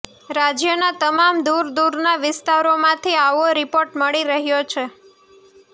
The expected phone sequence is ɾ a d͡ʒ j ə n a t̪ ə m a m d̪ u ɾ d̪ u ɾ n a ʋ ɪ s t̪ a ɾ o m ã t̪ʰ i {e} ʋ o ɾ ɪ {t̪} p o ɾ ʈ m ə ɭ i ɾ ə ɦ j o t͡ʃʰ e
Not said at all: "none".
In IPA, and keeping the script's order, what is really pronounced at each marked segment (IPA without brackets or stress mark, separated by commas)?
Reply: a, none